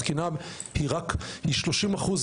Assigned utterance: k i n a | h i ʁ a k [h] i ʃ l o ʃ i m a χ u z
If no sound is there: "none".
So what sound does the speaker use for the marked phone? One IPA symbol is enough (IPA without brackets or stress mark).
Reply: h